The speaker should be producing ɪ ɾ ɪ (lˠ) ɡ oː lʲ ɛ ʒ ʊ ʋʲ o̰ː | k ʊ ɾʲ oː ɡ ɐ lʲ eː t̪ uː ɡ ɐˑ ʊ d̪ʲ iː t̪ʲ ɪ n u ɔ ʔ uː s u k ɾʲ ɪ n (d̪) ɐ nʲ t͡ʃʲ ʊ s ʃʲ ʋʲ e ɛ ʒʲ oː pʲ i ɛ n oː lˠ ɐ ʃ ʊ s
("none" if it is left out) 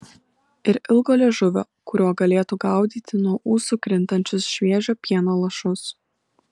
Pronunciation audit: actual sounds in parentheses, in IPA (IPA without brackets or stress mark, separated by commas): lˠ, t̪